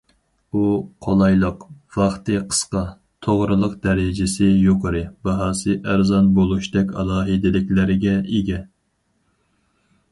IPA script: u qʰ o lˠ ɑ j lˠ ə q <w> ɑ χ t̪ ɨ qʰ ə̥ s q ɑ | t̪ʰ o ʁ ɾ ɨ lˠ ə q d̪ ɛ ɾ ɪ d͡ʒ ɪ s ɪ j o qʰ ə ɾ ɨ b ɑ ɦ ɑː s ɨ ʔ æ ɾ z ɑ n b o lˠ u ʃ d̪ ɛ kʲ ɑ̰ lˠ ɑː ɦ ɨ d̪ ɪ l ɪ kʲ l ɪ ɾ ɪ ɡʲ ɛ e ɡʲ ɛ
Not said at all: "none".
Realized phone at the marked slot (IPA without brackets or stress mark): v